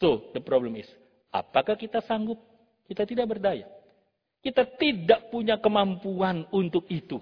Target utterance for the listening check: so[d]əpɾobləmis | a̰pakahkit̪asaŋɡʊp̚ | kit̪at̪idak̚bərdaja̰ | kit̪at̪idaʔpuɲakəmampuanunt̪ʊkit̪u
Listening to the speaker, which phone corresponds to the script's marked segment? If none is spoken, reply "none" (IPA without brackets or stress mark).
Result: d